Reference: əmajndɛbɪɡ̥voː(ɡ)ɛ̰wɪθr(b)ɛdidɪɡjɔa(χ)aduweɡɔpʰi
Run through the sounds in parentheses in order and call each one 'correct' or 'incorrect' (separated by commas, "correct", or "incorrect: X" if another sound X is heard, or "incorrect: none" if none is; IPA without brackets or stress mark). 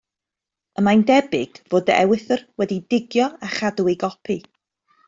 incorrect: d, incorrect: w, correct